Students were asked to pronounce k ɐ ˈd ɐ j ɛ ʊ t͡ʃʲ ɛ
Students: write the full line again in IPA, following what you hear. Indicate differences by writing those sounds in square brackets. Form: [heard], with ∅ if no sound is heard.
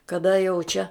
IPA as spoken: k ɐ ˈd ɐ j ɛ ʊ t͡ʃʲ ɛ

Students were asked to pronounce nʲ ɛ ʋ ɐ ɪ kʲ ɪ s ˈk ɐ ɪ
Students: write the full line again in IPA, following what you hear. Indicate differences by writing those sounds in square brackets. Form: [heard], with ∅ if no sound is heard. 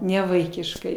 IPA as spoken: nʲ ɛ ʋ ɐ ɪ kʲ ɪ [ʃ] ˈk ɐ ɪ

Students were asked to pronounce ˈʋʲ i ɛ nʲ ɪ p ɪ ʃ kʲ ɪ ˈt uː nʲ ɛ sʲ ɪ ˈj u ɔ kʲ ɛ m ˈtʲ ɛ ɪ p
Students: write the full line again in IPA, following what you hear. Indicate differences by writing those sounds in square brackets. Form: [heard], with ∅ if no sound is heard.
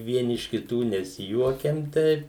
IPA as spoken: ˈʋʲ i ɛ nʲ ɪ [∅] ɪ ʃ kʲ ɪ ˈt uː nʲ ɛ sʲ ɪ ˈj u ɔ kʲ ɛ m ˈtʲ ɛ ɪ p

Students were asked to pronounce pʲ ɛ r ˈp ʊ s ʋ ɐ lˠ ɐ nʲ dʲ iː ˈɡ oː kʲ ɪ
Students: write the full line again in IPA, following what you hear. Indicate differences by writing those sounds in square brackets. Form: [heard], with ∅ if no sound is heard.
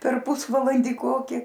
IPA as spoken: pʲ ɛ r ˈp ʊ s ʋ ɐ lˠ ɐ nʲ dʲ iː [ˈk] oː kʲ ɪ

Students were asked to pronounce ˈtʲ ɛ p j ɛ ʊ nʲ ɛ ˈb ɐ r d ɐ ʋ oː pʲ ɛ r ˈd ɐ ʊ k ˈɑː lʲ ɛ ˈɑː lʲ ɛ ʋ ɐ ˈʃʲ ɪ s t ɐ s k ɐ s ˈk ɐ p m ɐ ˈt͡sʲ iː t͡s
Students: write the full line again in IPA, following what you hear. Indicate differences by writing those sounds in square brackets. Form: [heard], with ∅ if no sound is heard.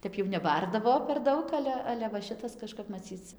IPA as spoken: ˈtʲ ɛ p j ɛ ʊ nʲ ɛ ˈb ɐ r d ɐ ʋ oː pʲ ɛ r ˈd ɐ ʊ k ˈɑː lʲ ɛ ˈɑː lʲ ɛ ʋ ɐ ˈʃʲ ɪ [∅] t ɐ s k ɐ [ʃ] ˈk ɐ p m ɐ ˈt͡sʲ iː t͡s

